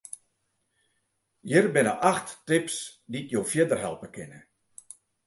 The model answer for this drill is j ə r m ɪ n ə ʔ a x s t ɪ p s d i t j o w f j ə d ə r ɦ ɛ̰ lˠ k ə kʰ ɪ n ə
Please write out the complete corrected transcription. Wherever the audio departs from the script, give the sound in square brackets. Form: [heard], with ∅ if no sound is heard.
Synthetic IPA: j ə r [b] ɪ n ə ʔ a x [t] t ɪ p s d i t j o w f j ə d ə r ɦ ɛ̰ lˠ [p] ə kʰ ɪ n ə